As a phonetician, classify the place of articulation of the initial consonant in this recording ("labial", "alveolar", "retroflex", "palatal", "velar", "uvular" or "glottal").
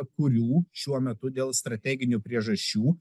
velar